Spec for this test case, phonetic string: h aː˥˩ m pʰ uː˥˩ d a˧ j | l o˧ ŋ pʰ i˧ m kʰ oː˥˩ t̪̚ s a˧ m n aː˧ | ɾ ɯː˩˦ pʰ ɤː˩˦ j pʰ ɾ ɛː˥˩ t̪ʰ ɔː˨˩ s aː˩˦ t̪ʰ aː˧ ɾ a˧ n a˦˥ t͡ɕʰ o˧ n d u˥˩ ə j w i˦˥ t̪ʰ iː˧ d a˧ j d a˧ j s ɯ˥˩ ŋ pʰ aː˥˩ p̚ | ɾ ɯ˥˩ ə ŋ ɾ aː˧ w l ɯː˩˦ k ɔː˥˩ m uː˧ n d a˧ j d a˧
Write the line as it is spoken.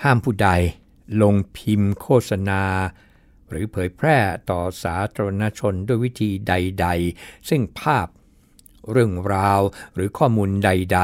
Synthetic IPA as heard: h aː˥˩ m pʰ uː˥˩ d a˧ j | l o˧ ŋ pʰ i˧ m kʰ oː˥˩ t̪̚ s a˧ n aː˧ | ɾ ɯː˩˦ pʰ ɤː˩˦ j pʰ ɾ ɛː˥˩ t̪ ɔː˨˩ s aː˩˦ t̪ʰ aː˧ ɾ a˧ n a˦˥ t͡ɕʰ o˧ n d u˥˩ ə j w i˦˥ t̪ʰ iː˧ d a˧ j d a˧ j s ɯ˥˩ ŋ pʰ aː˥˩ p̚ | ɾ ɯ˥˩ ə ŋ ɾ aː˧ w ɾ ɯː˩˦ kʰ ɔː˥˩ m uː˧ n d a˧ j d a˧